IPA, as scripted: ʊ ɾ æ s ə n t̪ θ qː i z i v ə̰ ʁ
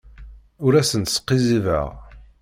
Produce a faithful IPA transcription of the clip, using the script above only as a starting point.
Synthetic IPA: ʊ ɾ æ s ə n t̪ s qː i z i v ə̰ ʁ